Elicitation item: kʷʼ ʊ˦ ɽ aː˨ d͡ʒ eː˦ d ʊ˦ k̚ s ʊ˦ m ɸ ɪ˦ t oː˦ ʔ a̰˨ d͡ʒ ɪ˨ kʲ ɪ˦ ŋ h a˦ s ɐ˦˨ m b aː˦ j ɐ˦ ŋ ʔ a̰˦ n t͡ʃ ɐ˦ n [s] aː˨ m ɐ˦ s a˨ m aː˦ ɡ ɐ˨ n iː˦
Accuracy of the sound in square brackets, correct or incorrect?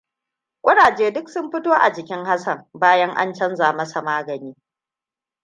incorrect: z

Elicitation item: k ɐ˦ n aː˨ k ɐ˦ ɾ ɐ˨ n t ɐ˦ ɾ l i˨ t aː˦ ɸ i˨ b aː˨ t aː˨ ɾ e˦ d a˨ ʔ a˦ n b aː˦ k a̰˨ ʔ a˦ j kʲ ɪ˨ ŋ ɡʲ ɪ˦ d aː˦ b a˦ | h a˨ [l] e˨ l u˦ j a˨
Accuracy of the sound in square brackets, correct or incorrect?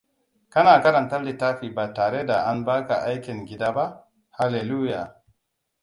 correct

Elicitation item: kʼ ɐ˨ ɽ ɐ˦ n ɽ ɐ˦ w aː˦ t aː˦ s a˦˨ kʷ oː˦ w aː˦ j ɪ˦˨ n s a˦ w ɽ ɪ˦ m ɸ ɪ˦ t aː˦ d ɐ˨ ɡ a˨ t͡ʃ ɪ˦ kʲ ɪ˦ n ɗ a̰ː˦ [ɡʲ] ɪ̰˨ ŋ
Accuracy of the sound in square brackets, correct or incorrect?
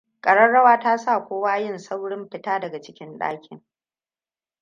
incorrect: kʲ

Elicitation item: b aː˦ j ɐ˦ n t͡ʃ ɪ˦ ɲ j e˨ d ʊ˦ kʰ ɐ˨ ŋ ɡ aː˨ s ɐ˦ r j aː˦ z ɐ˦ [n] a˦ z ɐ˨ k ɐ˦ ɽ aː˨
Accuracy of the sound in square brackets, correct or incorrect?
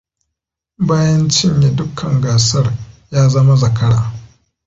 incorrect: m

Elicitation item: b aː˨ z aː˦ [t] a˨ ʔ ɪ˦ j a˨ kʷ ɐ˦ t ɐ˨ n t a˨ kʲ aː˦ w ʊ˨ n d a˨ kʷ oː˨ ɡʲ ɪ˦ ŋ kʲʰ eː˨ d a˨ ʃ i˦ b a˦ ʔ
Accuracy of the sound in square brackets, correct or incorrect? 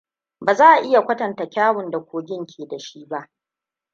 incorrect: ʔ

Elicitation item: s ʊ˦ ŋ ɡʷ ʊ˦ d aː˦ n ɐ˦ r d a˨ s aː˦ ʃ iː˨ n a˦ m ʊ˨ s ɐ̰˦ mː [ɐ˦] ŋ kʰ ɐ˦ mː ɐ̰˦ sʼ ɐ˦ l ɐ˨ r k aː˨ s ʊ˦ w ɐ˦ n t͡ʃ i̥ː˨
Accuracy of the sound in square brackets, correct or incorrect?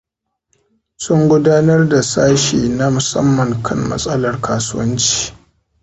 incorrect: ɐ˨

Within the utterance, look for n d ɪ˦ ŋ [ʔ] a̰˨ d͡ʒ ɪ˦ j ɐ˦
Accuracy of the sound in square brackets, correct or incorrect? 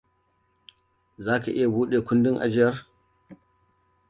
correct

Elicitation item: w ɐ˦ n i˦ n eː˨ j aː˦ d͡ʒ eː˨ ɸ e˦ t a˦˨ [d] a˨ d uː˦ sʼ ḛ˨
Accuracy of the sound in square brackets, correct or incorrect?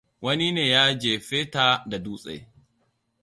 correct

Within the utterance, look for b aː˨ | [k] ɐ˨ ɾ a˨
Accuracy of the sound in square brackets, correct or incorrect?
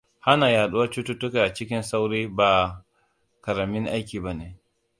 correct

